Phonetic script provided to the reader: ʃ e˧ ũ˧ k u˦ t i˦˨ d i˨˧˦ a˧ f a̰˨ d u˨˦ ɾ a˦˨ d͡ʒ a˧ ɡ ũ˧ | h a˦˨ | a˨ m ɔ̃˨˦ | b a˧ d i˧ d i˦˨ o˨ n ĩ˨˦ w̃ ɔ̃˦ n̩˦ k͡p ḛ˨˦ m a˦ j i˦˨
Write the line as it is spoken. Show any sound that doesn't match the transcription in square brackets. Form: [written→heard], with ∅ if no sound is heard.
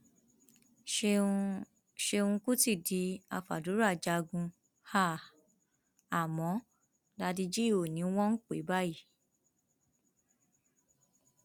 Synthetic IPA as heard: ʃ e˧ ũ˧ k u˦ t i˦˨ d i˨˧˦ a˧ f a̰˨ d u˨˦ ɾ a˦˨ d͡ʒ a˧ ɡ ũ˧ | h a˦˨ | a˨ m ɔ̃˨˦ | [b→d] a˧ d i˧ [d→d͡ʒ] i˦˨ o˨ n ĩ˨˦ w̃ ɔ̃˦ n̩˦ k͡p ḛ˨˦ [m→b] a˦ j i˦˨